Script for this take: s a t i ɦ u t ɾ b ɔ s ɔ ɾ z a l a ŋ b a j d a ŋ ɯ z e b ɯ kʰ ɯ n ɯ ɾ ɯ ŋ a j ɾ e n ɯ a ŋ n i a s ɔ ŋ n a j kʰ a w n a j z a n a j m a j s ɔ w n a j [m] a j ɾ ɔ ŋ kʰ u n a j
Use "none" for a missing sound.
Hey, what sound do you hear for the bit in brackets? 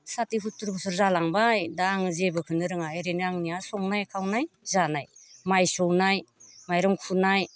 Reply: m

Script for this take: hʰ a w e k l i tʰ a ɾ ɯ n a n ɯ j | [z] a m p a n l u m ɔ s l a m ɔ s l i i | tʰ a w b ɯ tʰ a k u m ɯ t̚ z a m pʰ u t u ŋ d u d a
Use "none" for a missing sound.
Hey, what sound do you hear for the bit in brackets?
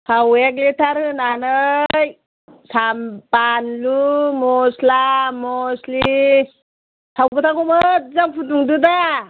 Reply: s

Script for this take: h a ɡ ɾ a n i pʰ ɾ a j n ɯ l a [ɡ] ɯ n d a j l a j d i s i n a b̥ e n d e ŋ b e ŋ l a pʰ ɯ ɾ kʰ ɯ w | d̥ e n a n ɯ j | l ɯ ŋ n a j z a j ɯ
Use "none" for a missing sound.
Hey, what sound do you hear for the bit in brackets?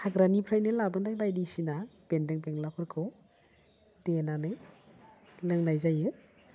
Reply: b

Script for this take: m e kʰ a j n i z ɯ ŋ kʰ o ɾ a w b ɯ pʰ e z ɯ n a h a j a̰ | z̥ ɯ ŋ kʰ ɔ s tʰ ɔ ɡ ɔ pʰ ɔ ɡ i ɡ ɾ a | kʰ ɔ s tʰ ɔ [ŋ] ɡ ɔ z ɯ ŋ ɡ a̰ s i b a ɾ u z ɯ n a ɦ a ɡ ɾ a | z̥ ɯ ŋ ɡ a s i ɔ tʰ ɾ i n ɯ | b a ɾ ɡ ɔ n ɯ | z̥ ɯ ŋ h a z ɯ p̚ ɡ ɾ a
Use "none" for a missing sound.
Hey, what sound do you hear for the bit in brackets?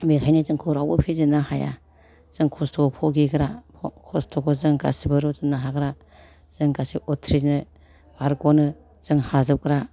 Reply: none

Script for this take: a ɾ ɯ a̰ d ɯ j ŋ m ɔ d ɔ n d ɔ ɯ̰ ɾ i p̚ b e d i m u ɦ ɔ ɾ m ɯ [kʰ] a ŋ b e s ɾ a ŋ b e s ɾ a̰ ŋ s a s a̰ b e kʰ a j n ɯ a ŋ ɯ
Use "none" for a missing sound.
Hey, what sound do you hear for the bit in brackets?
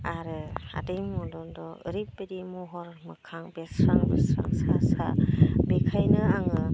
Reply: kʰ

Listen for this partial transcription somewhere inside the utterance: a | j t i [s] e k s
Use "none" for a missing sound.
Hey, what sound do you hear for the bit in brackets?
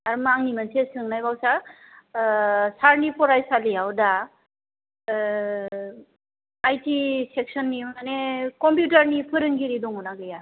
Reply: s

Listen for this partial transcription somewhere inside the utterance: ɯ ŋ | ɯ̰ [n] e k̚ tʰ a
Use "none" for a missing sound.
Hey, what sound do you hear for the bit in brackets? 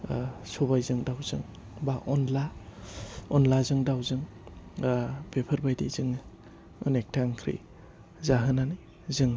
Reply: n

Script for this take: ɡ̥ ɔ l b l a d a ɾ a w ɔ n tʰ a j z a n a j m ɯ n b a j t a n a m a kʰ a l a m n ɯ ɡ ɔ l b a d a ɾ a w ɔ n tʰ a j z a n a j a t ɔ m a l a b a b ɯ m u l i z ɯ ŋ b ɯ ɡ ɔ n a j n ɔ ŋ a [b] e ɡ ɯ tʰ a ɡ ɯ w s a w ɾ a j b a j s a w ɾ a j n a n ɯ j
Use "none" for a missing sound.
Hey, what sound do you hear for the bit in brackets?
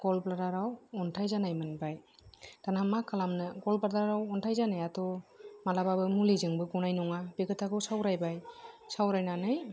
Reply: b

